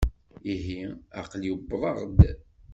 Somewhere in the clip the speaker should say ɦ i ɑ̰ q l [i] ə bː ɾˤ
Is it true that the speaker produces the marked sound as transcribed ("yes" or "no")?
no